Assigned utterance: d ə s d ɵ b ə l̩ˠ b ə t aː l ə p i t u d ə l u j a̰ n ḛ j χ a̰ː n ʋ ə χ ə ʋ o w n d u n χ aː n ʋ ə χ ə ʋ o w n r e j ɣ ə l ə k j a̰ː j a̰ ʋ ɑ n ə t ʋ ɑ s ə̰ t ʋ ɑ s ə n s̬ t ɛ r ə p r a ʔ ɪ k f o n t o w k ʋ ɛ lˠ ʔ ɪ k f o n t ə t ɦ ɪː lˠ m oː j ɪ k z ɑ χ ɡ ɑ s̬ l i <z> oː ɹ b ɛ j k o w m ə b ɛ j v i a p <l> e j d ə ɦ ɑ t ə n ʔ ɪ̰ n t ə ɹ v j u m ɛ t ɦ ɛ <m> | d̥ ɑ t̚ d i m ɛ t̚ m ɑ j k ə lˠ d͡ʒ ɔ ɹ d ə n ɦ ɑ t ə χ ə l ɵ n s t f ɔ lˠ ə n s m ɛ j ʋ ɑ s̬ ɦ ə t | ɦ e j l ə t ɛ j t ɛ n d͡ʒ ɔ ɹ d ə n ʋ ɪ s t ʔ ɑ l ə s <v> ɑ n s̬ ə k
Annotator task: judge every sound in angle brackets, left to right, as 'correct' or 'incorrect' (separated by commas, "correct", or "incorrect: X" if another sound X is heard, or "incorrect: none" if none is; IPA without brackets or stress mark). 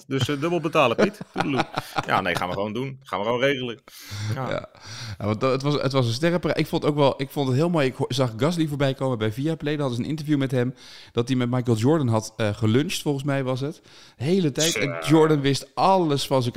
incorrect: v, correct, correct, incorrect: f